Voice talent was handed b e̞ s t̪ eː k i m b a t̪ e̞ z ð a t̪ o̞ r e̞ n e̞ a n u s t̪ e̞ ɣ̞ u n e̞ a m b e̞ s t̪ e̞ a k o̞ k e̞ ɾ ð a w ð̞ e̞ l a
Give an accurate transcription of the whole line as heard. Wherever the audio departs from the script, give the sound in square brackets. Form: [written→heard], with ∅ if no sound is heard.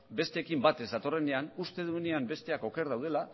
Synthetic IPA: b e̞ s t̪ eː k i m b a t̪ e̞ z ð a t̪ o̞ r e̞ n e̞ a n u s t̪ e̞ [ɣ̞→ð̞] u n e̞ a m b e̞ s t̪ e̞ a k o̞ k e̞ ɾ ð a w ð̞ e̞ l a